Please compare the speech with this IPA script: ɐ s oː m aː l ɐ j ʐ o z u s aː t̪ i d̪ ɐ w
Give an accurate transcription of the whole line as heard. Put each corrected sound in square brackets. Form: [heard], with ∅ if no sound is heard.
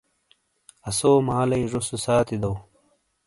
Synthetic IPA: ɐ s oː m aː l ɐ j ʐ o [s] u s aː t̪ i d̪ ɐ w

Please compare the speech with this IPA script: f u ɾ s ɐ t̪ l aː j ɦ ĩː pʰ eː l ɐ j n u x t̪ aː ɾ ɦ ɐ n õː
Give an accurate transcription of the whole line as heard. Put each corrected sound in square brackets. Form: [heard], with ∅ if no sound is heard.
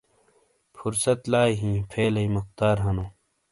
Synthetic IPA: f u ɾ s ɐ t̪ l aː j ɦ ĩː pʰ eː l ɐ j [m] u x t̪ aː ɾ ɦ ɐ n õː

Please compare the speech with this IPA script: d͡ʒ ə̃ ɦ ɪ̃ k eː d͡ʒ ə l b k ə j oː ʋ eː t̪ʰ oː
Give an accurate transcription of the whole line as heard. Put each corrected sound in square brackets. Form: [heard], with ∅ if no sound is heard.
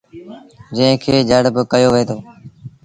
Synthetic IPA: d͡ʒ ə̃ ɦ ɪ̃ [kʰ] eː d͡ʒ ə [ɽ] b k ə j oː ʋ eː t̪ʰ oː

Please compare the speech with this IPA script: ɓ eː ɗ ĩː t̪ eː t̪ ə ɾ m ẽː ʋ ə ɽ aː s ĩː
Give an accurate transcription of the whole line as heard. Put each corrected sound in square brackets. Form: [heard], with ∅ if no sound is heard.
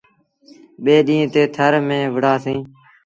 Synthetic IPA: ɓ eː ɗ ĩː t̪ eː [t̪ʰ] ə ɾ m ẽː ʋ ə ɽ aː s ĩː

